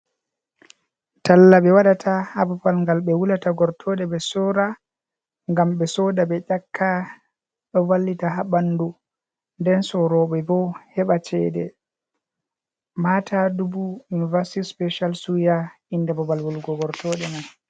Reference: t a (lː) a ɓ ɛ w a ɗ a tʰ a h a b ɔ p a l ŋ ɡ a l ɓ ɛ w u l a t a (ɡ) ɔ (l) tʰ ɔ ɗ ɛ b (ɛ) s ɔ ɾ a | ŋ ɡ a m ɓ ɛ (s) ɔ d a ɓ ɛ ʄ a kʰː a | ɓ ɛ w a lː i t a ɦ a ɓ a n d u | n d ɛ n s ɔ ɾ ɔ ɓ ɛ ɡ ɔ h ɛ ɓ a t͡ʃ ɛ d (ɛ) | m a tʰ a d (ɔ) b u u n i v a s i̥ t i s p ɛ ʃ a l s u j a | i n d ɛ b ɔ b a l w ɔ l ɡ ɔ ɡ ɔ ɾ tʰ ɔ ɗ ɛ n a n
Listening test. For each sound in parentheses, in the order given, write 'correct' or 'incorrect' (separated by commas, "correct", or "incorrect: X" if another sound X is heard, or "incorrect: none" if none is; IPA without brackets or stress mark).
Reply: correct, correct, incorrect: ɾ, correct, correct, correct, incorrect: u